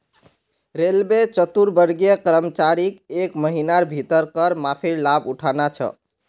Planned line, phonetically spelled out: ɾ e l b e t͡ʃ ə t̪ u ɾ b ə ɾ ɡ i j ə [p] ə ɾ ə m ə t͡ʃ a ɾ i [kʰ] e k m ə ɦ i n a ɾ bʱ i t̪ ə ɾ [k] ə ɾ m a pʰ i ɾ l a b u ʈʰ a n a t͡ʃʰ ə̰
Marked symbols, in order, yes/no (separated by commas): no, no, yes